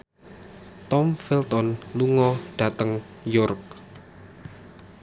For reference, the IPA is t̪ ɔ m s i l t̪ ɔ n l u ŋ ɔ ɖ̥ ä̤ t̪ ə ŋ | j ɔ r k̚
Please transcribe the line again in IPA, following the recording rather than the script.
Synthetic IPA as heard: t̪ ɔ m f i l t̪ ɔ n l u ŋ ɔ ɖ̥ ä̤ t̪ ə ŋ | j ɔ r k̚